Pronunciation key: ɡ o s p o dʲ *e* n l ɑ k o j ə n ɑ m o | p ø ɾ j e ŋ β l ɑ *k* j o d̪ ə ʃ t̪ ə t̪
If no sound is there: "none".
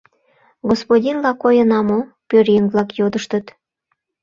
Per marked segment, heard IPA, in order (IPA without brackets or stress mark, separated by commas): i, k